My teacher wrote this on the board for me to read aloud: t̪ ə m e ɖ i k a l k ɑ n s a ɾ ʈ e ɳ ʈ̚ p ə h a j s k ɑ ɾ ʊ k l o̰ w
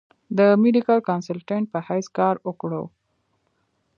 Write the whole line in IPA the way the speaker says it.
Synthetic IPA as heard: d̪ ə m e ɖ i k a l k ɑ n s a l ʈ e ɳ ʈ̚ p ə h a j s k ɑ ɾ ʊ k ɽ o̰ w